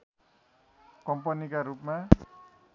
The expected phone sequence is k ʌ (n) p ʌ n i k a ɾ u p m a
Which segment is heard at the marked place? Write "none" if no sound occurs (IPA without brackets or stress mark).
m